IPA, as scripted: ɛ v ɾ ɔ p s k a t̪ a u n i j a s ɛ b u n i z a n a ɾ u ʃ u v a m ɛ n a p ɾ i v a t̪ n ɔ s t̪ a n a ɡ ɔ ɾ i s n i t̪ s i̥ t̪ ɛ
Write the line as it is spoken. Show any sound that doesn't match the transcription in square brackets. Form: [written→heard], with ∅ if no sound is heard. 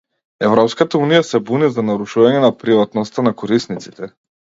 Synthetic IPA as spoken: ɛ v ɾ ɔ p s k a t̪ a u n i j a s ɛ b u n i z a n a ɾ u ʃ u v a [m→ɲ] ɛ n a p ɾ i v a t̪ n ɔ s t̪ a n a [ɡ→k] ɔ ɾ i s n i t̪ s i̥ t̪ ɛ

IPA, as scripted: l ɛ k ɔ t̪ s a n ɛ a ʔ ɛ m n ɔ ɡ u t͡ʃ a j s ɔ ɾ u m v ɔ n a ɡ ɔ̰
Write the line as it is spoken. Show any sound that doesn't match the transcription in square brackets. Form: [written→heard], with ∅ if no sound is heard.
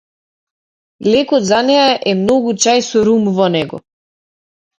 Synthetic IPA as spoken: l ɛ k ɔ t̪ [s→z] a n ɛ a ʔ ɛ m n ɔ ɡ u t͡ʃ a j s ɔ ɾ u m v ɔ n [a→ɛ] ɡ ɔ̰

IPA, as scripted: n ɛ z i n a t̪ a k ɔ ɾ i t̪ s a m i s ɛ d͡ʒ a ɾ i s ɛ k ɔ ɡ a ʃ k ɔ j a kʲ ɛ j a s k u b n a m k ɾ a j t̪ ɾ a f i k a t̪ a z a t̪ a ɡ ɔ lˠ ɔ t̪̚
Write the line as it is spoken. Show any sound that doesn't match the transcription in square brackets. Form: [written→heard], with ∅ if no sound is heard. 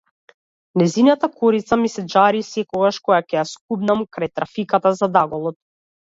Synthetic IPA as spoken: n ɛ z i n a t̪ a k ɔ ɾ i t̪ s a m i s ɛ d͡ʒ a ɾ i s ɛ k ɔ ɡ a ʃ k ɔ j a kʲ ɛ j a s k u b n a m k ɾ a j t̪ ɾ a f i k a t̪ a z a [t̪→d̪] a ɡ ɔ lˠ ɔ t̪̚

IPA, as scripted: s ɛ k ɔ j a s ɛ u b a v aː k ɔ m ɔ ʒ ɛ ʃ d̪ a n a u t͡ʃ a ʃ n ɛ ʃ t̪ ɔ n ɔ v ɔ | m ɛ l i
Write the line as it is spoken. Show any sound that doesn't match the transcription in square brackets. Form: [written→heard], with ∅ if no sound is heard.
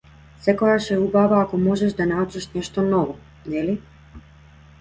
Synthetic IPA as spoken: s ɛ k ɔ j a [s→ʃ] ɛ u b a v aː k ɔ m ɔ ʒ ɛ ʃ d̪ a n a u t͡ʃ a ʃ n ɛ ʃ t̪ ɔ n ɔ v ɔ | [m→n] ɛ l i

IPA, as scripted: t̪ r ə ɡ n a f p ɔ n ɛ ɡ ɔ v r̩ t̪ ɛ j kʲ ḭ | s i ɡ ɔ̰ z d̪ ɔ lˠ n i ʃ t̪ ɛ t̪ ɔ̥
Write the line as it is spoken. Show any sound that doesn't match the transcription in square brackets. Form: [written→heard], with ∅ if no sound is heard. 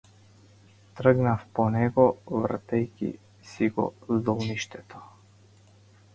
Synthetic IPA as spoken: t̪ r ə ɡ n a f p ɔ n ɛ ɡ ɔ v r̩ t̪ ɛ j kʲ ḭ | s i ɡ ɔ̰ z d̪ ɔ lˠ n i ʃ t̪ ɛ t̪ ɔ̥

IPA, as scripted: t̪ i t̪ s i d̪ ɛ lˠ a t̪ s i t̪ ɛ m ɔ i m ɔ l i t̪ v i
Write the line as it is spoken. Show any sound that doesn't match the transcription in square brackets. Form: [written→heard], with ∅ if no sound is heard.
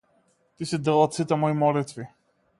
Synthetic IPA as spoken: t̪ i [t̪→∅] s i d̪ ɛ lˠ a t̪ s i t̪ ɛ m ɔ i m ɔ l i t̪ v i

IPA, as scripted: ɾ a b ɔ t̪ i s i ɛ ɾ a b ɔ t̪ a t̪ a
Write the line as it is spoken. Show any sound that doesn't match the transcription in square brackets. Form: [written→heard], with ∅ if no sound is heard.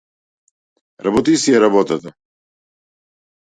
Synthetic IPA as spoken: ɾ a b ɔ t̪ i s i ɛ ɾ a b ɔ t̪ a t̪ a

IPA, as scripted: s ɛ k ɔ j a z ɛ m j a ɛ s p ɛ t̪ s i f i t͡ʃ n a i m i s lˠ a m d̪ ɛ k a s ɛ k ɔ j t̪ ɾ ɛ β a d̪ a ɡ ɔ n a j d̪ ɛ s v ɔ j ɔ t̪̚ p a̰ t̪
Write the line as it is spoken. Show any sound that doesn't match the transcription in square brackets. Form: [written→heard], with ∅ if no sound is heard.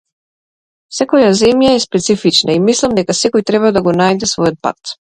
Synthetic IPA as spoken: s ɛ k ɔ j a z ɛ m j a ɛ s p ɛ t̪ s i f i t͡ʃ n a i m i s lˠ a m d̪ ɛ k a s ɛ k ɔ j t̪ ɾ ɛ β a d̪ a ɡ ɔ n a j d̪ ɛ s v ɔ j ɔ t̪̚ p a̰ t̪

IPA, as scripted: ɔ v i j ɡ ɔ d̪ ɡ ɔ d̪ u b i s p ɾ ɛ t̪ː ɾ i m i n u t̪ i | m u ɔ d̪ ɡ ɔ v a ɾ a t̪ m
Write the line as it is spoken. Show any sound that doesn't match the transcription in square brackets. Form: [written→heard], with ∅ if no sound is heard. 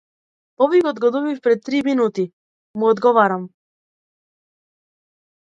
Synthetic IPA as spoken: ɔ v i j ɡ ɔ d̪ ɡ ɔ d̪ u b i [s→f] p ɾ ɛ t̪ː ɾ i m i n u t̪ i | m u ɔ d̪ ɡ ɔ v a ɾ a [t̪→∅] m

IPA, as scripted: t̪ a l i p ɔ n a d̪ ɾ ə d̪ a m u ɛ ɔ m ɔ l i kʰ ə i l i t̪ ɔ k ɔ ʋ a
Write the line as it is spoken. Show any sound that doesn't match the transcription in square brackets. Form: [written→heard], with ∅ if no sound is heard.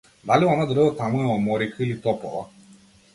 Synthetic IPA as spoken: [t̪→d̪] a l i [p→∅] ɔ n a d̪ ɾ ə [d̪→t̪] a m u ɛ ɔ m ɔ [l→ɾ] i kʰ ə i l i t̪ ɔ [k→p] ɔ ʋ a

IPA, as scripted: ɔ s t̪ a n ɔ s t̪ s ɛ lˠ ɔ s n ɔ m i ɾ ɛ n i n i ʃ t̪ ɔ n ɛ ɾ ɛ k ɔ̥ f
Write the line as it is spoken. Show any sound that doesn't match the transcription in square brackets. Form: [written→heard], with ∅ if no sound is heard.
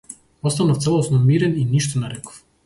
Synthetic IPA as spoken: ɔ s t̪ a n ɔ [s→f] t̪ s ɛ lˠ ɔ s n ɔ m i ɾ ɛ n i n i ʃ t̪ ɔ n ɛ ɾ ɛ k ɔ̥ f

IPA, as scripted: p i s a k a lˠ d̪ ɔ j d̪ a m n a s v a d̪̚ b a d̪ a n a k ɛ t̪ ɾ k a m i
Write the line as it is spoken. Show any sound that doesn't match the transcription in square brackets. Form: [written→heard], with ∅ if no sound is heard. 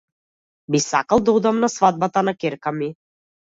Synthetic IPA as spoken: [p→b] i s a k a lˠ d̪ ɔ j d̪ a m n a s v a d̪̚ b a [d̪→t̪] a n a k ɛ [t̪→∅] ɾ k a m i

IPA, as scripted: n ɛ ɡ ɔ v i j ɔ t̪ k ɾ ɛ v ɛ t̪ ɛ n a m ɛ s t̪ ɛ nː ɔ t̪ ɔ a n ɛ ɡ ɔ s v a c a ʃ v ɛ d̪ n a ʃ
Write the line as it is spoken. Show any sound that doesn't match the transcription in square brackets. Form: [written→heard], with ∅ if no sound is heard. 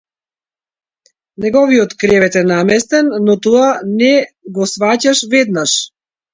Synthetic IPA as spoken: n ɛ ɡ ɔ v i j ɔ t̪ k ɾ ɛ v ɛ t̪ ɛ n a m ɛ s t̪ ɛ nː ɔ t̪ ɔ a n ɛ ɡ ɔ s v a c a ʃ v ɛ d̪ n a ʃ

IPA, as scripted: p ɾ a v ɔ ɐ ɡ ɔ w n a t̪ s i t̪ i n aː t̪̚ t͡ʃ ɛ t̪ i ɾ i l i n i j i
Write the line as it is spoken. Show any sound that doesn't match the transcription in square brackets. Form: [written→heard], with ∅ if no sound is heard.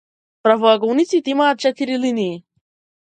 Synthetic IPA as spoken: p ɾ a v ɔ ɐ ɡ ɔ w n [a→i] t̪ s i t̪ i [n→m] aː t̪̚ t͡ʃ ɛ t̪ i ɾ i l i n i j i

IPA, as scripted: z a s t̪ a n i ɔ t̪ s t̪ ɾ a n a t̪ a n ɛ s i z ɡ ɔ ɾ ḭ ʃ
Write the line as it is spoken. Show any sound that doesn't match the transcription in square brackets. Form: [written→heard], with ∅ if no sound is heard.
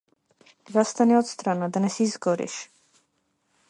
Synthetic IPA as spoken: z a s t̪ a n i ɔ t̪ s t̪ ɾ a n a [t̪→d̪] a n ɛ s i z ɡ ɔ ɾ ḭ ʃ

